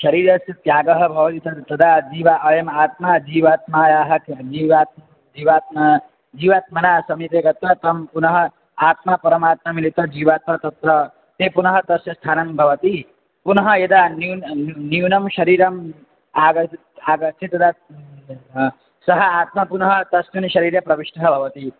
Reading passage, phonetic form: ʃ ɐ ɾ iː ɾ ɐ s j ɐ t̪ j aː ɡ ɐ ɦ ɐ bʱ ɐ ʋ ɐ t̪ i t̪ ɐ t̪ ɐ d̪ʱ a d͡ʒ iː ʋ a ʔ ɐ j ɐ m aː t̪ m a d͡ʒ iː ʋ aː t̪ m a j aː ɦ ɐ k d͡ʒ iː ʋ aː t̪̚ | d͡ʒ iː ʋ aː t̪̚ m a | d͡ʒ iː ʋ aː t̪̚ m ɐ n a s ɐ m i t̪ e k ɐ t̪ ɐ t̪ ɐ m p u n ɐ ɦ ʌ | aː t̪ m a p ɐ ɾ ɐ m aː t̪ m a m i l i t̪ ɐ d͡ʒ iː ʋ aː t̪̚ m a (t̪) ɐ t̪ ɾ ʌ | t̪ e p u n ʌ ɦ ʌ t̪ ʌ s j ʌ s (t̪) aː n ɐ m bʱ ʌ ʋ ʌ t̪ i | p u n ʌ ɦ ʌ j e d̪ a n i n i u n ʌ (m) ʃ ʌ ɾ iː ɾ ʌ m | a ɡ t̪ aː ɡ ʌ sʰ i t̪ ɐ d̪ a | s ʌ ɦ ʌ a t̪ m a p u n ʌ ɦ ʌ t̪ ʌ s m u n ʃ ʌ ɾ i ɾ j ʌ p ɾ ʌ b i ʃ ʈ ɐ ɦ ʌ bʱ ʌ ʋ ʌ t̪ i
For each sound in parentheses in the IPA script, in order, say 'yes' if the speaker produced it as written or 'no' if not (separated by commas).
yes, no, yes